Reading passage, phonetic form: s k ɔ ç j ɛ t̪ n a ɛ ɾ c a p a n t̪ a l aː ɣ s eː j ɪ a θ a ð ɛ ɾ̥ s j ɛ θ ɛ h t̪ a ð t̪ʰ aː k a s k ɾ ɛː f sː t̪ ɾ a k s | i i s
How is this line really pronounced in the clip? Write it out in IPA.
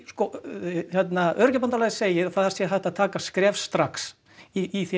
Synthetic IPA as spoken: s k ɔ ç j ɛ t̪ n a œ ɾ c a p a n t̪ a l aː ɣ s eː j ɪ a θ a ð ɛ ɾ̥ s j ɛ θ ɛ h t̪ a ð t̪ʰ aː k a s k ɾ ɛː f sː t̪ ɾ a k s | i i θ